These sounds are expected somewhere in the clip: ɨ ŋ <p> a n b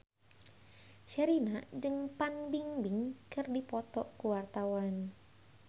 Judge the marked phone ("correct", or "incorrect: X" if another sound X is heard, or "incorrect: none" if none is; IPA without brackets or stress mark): correct